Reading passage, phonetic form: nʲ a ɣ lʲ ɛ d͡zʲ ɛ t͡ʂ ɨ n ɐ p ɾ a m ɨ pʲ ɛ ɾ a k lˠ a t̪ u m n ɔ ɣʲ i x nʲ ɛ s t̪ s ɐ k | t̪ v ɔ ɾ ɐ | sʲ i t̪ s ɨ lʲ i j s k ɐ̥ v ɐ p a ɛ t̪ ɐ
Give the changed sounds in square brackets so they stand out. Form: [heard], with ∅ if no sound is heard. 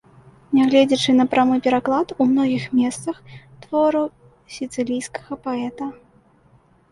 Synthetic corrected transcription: nʲ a ɣ lʲ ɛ d͡zʲ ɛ t͡ʂ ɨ n ɐ p ɾ a m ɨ pʲ ɛ ɾ a k lˠ a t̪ u m n ɔ ɣʲ i x [mʲ] ɛ s t̪ s ɐ [x] | t̪ v ɔ ɾ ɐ | sʲ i t̪ s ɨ lʲ i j s k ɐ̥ [ɣ] ɐ p a ɛ t̪ ɐ